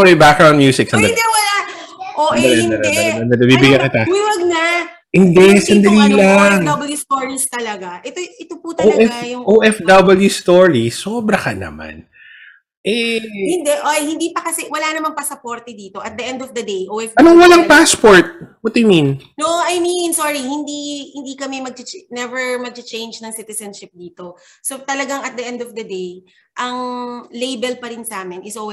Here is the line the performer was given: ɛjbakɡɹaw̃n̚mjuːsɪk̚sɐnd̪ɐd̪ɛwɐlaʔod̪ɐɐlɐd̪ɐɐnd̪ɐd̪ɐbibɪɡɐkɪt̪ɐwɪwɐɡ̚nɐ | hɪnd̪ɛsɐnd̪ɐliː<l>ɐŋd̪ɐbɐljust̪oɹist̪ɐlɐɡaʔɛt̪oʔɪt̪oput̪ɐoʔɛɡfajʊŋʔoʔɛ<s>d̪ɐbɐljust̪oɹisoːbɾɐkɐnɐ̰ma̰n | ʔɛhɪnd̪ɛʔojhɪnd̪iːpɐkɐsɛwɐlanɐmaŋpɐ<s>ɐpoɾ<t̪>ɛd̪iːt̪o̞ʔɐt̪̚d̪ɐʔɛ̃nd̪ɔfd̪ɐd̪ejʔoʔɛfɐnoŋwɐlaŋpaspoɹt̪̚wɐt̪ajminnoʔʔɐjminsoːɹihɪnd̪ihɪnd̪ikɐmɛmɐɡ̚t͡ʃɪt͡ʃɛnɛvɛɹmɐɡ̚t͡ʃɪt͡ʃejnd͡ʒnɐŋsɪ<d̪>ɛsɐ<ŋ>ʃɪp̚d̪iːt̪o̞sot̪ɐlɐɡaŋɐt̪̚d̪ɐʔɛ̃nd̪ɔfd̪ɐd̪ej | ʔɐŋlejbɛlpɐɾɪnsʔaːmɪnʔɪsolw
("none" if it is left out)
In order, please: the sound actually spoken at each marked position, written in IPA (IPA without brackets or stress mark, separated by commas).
l, f, s, t̪, t̪, n